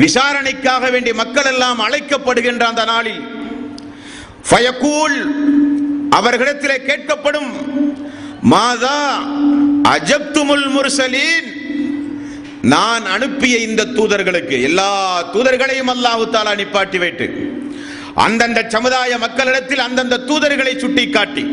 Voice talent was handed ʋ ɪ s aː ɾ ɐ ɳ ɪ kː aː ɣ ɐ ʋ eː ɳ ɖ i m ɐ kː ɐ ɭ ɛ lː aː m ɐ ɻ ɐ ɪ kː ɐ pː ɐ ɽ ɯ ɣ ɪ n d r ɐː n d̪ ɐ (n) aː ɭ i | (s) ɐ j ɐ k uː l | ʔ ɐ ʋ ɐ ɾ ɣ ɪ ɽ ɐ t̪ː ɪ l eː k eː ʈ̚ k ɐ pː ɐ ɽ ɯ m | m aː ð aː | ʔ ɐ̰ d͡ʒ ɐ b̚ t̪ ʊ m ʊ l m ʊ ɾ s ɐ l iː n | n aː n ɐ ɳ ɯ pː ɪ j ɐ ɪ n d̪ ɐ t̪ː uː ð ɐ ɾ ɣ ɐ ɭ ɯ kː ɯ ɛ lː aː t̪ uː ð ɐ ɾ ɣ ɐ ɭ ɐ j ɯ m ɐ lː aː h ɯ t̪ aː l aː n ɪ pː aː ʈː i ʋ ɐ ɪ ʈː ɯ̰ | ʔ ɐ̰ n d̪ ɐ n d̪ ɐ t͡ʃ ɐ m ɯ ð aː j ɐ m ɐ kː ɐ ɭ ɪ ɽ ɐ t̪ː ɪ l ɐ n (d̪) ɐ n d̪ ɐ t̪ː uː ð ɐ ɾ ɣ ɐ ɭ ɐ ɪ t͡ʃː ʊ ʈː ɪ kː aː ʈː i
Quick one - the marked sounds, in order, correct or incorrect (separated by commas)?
correct, incorrect, correct